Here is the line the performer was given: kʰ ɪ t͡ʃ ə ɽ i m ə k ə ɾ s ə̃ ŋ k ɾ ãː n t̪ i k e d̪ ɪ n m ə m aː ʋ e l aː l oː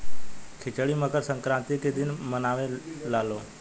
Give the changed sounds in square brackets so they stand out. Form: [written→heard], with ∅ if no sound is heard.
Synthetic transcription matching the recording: kʰ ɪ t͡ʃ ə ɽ i m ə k ə ɾ s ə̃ ŋ k ɾ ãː n t̪ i k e d̪ ɪ n m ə [m→n] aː ʋ e l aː l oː